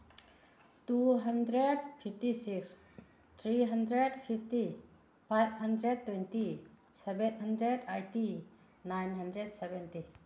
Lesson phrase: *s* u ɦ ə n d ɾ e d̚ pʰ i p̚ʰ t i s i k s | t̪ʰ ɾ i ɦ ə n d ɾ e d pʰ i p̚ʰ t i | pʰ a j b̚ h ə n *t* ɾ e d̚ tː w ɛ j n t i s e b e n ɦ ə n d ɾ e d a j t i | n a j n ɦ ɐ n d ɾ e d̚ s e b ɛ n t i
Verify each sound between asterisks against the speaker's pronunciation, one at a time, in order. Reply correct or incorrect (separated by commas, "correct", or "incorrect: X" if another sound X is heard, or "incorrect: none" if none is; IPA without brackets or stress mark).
incorrect: t, incorrect: d